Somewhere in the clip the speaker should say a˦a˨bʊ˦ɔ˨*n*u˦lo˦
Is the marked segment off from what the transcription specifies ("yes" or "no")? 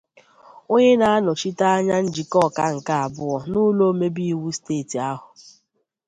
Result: no